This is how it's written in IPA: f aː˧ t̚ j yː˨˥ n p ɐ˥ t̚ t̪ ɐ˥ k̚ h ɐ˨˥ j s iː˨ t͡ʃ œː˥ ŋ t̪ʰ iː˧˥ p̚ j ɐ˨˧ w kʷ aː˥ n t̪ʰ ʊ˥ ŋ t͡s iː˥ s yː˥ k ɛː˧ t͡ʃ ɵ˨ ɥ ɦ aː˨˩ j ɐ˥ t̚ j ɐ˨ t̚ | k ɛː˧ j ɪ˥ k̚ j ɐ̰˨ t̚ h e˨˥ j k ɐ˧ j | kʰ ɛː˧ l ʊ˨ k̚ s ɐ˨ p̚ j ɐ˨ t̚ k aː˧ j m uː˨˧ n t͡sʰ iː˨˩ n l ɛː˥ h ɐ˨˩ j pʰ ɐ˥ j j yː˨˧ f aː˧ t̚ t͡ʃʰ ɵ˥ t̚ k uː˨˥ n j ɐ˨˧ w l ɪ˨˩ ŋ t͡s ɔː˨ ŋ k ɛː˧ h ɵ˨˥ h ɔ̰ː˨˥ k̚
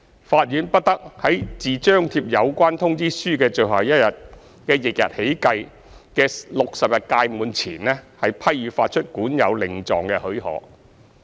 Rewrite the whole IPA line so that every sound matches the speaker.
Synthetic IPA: f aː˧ t̚ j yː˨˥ n p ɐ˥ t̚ t̪ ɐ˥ k̚ h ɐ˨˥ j t͡s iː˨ t͡ʃ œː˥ ŋ t̪ʰ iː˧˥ p̚ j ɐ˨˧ w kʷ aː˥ n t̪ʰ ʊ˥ ŋ t͡s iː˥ s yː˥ k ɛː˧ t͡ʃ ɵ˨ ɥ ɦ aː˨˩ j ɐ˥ t̚ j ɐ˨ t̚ | k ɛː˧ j ɪ˨ k̚ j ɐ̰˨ t̚ h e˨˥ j k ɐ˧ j | k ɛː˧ l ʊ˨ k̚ s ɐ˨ p̚ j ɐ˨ t̚ k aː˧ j m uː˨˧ n t͡sʰ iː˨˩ n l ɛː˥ h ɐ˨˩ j pʰ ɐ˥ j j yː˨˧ f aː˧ t̚ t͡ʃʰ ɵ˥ t̚ k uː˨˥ n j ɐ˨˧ w l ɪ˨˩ ŋ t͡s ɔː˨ ŋ k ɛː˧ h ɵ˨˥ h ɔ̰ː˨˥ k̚